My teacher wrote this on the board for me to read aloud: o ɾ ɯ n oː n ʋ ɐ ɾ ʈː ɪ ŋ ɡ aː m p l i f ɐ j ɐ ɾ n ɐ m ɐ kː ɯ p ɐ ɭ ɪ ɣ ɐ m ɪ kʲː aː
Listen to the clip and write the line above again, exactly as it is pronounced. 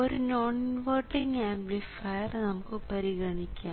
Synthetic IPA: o ɾ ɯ n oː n ʋ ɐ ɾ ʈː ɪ ŋ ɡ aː m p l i f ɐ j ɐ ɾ n ɐ m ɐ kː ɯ p ɐ ɾ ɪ ɣ ɐ ɳ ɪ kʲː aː